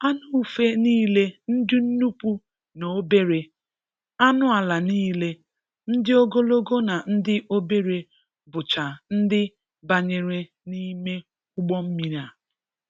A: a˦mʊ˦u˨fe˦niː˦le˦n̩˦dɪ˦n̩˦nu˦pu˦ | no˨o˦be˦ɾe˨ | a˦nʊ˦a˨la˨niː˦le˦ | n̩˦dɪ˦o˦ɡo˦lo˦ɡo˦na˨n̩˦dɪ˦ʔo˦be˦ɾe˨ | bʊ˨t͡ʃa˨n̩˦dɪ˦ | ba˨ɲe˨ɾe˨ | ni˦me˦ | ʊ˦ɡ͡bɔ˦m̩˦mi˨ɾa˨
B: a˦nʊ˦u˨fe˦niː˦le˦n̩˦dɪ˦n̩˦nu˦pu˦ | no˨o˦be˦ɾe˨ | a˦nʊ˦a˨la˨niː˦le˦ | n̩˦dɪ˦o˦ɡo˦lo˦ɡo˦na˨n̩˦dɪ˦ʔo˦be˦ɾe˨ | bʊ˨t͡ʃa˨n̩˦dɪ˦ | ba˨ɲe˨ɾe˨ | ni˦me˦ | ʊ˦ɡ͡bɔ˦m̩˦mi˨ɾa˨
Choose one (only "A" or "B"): B